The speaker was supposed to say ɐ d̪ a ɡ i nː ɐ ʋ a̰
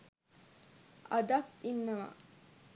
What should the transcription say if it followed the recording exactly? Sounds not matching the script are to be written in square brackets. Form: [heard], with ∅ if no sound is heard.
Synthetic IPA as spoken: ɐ d̪ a [k] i nː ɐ ʋ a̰